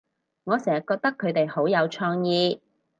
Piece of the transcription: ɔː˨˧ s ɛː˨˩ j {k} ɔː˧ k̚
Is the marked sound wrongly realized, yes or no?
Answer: no